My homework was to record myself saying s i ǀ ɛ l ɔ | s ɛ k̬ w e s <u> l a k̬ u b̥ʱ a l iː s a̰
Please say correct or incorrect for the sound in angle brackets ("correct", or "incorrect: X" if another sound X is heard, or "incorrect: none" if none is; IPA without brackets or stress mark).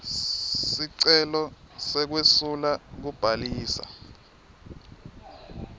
correct